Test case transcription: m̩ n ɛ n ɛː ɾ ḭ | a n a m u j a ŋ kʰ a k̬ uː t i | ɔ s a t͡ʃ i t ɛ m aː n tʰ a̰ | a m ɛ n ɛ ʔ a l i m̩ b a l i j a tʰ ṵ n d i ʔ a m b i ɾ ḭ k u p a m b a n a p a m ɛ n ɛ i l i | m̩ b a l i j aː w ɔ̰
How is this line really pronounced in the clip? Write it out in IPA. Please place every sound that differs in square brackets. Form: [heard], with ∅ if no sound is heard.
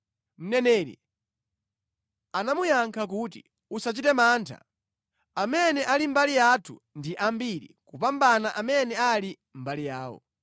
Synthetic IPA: m̩ n ɛ n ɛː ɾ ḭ | a n a m u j a ŋ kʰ a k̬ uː t i | [u] s a t͡ʃ i t ɛ m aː n tʰ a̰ | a m ɛ n ɛ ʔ a l i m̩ b a l i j a tʰ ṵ n d i ʔ a m b i ɾ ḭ k u p a m b a n a [ʔ] a m ɛ n ɛ [a] l i | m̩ b a l i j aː w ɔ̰

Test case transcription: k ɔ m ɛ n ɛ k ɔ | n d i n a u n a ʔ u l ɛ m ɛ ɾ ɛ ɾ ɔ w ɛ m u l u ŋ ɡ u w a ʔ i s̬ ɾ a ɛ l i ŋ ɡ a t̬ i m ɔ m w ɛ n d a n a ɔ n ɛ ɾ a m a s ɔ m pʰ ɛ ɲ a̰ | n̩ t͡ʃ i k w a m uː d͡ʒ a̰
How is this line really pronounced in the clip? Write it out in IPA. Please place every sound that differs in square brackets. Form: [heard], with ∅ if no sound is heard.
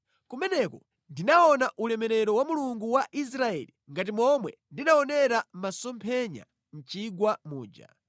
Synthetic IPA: k [u] m ɛ n ɛ k ɔ | n d i n a [ɔ] n a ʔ u l ɛ m ɛ ɾ ɛ ɾ ɔ w [a] m u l u ŋ ɡ u w a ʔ i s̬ ɾ a ɛ l i ŋ ɡ a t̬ i m ɔ m w ɛ n d [i] n a ɔ n ɛ ɾ a m a s ɔ m pʰ ɛ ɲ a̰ | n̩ t͡ʃ i [ɡ] w a m uː d͡ʒ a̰

